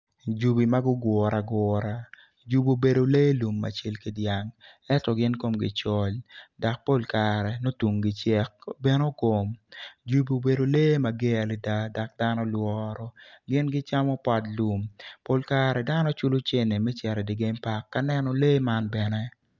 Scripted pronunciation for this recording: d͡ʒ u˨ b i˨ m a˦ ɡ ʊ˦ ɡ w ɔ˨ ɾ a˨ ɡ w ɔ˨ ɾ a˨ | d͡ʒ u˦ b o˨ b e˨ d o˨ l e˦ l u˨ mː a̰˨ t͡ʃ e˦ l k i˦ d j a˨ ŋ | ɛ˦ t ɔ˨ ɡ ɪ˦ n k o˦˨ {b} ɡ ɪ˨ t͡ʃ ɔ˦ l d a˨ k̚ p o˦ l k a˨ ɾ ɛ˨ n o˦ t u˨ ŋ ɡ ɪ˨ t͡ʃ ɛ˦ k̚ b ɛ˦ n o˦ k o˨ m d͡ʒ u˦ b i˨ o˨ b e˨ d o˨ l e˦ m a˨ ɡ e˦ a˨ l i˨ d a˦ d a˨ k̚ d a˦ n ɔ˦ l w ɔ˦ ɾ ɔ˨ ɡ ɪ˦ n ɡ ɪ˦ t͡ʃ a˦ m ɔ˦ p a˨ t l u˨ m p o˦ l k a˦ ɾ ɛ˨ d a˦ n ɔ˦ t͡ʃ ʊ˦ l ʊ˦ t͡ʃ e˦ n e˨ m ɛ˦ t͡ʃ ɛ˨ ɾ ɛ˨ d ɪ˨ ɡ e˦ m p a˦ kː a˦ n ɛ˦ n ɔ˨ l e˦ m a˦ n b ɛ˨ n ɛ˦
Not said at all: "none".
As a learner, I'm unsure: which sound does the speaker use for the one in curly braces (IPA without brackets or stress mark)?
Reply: m